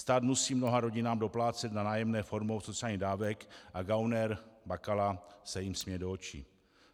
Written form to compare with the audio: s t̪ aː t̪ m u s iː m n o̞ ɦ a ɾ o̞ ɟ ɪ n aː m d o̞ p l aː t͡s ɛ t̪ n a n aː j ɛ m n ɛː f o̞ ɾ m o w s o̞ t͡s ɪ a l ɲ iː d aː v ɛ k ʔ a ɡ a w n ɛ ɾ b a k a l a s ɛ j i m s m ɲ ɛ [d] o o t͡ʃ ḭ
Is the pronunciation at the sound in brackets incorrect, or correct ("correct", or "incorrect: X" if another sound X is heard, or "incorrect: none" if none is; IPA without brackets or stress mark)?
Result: correct